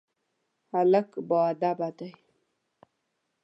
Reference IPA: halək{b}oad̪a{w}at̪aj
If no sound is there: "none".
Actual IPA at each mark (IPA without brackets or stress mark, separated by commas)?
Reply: b, b